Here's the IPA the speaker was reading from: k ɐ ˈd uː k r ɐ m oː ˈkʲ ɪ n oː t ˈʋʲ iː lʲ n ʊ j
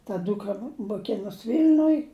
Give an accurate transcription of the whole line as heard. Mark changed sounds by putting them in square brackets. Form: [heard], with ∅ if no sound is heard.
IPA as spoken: [t] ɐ ˈd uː k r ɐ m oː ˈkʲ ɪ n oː [s] ˈʋʲ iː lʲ n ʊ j